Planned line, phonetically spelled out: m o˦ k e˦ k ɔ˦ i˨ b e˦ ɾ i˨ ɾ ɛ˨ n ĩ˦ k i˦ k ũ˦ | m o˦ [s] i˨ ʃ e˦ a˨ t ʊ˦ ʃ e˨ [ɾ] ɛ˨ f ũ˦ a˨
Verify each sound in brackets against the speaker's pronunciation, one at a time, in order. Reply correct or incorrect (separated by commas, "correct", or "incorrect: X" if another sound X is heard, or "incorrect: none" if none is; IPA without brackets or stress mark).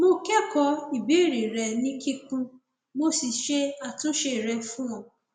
correct, correct